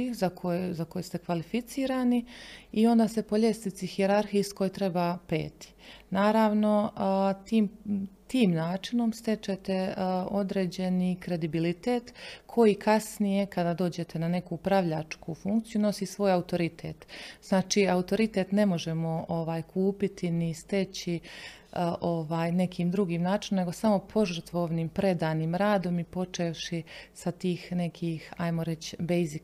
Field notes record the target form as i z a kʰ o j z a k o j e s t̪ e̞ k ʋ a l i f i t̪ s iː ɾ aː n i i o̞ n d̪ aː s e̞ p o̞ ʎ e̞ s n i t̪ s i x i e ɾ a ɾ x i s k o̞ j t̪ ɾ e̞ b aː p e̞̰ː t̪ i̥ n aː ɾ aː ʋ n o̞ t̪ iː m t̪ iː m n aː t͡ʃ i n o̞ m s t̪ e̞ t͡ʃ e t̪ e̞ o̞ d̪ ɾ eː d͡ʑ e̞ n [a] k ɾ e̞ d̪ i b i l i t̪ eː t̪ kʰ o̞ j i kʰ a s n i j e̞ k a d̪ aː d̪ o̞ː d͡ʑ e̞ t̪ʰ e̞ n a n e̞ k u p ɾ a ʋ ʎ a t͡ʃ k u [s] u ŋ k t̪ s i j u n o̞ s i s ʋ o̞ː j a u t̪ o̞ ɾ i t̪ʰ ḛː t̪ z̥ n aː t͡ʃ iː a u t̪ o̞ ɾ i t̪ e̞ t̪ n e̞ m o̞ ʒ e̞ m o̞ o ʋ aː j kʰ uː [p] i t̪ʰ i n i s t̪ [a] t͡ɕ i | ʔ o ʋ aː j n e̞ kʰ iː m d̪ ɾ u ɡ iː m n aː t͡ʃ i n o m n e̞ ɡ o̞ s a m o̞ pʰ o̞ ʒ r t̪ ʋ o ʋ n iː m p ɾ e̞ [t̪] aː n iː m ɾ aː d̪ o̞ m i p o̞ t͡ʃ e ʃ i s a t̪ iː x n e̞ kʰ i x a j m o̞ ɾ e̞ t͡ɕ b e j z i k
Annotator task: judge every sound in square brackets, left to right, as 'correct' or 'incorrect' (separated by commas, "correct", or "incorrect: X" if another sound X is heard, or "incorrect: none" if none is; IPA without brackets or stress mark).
incorrect: i, incorrect: f, correct, incorrect: e, incorrect: d̪